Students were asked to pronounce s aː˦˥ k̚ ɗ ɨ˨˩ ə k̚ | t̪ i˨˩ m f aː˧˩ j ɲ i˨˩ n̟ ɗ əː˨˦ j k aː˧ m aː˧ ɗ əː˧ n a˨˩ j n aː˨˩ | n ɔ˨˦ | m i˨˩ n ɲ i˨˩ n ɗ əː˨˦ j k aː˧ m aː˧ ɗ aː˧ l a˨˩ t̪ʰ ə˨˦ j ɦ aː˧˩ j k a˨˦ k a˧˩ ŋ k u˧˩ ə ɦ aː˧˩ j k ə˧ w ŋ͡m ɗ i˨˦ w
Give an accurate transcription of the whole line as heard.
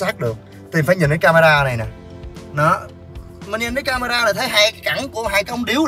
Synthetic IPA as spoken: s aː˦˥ k̚ ɗ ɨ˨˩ ə k̚ | t̪ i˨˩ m f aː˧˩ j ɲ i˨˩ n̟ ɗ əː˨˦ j k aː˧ m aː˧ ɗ aː˧ n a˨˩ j n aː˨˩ | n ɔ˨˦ | m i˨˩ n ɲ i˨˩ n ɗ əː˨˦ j k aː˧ m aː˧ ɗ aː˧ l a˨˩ t̪ʰ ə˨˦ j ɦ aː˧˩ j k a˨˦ k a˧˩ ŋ k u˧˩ ə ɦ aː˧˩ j k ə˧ w ŋ͡m ɗ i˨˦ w